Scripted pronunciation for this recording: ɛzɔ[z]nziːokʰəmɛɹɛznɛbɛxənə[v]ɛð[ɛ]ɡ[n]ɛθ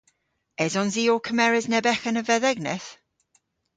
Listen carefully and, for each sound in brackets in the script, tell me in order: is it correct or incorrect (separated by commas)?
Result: incorrect, correct, correct, correct